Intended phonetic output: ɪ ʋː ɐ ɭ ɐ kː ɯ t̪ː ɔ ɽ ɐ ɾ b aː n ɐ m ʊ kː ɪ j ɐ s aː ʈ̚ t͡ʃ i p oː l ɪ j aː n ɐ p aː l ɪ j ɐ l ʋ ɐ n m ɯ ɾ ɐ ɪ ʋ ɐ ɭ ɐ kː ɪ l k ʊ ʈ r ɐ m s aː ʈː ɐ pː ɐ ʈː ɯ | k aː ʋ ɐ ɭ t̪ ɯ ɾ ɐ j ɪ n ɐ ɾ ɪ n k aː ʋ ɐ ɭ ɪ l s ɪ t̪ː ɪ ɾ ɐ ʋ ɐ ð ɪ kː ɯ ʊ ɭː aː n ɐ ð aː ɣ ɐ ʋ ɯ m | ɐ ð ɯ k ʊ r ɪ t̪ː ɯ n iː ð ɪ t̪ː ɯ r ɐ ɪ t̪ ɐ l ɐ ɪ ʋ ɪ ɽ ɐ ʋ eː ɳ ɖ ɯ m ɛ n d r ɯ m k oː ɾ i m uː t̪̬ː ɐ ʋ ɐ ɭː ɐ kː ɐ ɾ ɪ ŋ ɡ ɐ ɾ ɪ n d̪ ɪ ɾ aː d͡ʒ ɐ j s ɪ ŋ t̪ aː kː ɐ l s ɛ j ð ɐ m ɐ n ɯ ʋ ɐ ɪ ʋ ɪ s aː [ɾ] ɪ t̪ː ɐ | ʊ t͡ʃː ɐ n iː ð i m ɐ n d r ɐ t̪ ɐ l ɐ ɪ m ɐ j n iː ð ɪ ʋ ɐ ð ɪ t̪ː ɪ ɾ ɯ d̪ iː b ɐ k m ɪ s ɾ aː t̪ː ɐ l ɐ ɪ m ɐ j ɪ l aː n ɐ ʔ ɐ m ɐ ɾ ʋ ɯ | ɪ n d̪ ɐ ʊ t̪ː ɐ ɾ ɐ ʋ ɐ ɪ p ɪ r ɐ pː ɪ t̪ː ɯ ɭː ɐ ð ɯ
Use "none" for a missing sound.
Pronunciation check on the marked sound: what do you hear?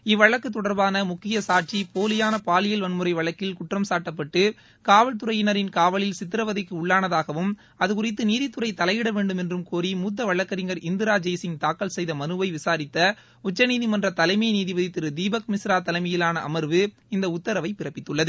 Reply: ɾ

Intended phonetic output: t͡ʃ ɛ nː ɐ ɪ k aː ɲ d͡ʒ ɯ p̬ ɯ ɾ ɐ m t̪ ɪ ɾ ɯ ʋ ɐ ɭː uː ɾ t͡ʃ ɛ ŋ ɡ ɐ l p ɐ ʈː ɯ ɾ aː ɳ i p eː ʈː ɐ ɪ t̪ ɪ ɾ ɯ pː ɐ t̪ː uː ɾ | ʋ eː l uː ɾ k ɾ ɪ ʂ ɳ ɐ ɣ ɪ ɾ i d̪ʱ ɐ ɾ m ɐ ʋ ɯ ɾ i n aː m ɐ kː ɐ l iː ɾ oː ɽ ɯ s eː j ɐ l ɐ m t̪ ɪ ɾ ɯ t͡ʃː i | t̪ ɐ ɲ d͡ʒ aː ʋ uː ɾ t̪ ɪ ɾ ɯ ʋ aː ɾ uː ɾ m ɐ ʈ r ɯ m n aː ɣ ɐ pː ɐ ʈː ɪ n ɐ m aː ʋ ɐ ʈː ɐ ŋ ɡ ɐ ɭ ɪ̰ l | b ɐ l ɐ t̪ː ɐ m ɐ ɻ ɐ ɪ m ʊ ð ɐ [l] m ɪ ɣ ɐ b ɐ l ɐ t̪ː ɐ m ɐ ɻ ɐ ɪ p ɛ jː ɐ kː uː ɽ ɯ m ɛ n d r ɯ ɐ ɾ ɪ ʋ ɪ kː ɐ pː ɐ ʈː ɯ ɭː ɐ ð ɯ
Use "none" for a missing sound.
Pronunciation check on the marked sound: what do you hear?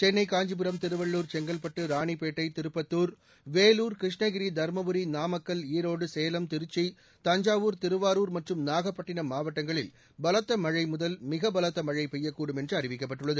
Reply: l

